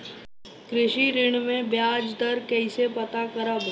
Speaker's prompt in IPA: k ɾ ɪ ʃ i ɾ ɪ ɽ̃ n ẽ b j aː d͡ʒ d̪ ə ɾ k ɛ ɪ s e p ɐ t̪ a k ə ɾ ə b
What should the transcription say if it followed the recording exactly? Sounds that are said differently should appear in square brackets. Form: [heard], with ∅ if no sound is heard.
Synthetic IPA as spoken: k ɾ ɪ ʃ i ɾ ɪ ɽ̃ [m] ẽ b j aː d͡ʒ d̪ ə ɾ k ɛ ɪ s e p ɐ t̪ a k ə ɾ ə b